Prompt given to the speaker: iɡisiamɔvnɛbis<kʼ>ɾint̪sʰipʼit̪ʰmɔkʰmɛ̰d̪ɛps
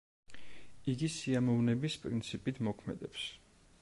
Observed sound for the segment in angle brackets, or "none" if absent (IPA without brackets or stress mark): pʼ